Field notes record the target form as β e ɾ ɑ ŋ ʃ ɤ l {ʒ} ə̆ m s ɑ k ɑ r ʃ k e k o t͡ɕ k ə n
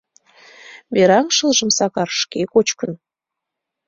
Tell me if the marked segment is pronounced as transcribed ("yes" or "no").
yes